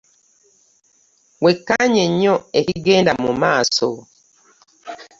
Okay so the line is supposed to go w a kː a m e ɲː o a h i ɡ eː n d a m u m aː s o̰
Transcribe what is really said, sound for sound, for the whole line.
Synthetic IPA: w e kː a ɲ e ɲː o e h i ɡ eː n d a m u m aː s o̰